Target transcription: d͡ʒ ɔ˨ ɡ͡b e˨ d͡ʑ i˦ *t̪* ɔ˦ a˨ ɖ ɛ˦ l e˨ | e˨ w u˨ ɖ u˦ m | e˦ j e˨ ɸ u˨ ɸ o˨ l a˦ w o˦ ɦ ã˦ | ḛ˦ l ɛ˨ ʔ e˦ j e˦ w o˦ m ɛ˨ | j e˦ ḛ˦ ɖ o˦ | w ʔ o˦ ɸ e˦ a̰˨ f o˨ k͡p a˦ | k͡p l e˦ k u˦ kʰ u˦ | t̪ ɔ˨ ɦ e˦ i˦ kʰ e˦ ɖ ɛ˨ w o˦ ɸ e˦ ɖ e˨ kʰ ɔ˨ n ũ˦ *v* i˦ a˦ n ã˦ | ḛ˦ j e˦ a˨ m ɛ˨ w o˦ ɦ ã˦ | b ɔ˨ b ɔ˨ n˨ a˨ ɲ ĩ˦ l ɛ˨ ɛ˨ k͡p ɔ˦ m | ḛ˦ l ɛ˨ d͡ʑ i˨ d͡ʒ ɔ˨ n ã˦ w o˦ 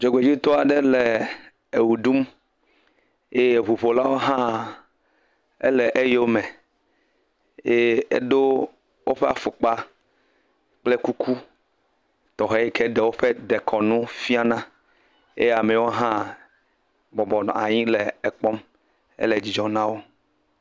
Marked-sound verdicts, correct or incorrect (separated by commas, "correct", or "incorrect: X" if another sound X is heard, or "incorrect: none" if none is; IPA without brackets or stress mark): correct, incorrect: f